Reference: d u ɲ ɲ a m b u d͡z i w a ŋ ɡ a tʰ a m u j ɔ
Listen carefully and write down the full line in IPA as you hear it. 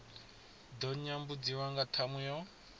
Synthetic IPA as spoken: d ɔ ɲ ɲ a m b u d͡z i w a ŋ ɡ a tʰ a m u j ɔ

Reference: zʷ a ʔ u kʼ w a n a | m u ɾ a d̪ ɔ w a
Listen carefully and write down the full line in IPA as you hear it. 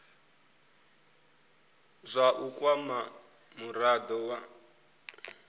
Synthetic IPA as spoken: zʷ a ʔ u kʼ w a m a | m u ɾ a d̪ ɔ w a

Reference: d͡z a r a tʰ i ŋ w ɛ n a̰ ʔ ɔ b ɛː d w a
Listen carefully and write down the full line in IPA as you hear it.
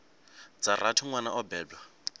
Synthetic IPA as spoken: d͡z a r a tʰ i ŋ w a n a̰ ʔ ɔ b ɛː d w a

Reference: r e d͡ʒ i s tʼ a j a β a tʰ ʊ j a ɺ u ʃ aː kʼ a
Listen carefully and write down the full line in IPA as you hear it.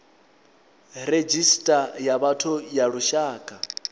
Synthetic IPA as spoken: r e d͡ʒ i s tʼ a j a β a tʰ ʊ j a ɺ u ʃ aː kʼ a

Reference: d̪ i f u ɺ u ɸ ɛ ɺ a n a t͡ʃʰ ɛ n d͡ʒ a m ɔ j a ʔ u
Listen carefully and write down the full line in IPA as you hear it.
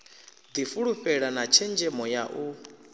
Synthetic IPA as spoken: d̪ i f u ɺ u ɸ ɛ ɺ a n a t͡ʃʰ ɛ n d͡ʒ ɛ m ɔ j a ʔ u

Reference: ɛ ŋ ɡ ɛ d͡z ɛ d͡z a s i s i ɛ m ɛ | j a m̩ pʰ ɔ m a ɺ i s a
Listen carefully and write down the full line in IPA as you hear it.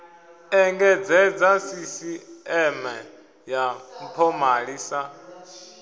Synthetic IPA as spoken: ɛ ŋ ɡ ɛ d͡z ɛ d͡z a s i s i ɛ m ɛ | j a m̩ pʰ ɔ m a ɺ i s a

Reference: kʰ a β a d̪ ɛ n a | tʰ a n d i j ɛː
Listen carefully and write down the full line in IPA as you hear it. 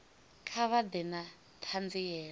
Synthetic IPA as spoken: kʰ a β a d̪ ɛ n a | tʰ a n d͡z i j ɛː

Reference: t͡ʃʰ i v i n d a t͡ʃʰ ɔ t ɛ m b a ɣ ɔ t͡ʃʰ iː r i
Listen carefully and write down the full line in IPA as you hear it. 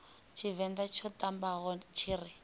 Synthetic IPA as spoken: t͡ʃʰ i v ɛ n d a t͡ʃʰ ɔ t a m b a ɣ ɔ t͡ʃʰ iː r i

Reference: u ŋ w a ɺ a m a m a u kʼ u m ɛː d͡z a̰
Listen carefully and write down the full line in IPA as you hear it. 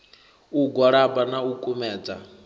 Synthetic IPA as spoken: u ɡ w a ɺ a b a n a u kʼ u m ɛː d͡z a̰

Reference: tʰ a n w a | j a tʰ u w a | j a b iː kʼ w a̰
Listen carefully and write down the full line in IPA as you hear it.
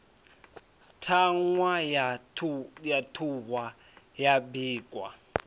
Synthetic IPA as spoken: tʰ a ŋ w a | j a tʰ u w a | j a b iː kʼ w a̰

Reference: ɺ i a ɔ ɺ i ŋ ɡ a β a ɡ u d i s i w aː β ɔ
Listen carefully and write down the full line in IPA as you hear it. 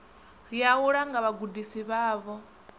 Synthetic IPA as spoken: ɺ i a u ɺ a ŋ ɡ a β a ɡ u d i s i β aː β ɔ

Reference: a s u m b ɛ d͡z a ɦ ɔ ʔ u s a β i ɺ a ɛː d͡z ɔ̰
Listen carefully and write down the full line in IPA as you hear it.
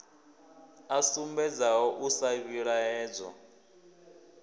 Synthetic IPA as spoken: a s u m b ɛ d͡z a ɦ ɔ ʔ u s a β i ɺ a ɛː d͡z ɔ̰

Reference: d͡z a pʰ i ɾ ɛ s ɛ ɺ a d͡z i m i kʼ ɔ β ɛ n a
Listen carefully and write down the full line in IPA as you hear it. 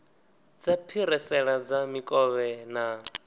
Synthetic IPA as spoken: d͡z a pʰ i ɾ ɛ s ɛ ɺ a d͡z a m i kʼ ɔ β ɛ n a

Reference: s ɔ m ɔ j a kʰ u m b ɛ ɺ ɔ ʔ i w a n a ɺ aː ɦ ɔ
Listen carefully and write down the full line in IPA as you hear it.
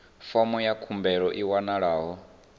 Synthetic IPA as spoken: f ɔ m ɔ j a kʰ u m b ɛ ɺ ɔ ʔ i w a n a ɺ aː ɦ ɔ

